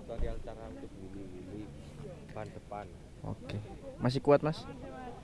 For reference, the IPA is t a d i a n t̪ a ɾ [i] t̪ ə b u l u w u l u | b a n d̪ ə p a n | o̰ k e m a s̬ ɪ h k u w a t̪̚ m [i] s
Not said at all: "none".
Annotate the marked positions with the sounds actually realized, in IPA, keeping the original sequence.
a, a

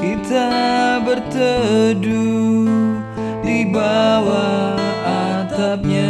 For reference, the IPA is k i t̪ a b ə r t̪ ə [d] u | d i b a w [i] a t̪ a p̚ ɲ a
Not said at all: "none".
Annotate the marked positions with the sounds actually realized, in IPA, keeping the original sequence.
d, a

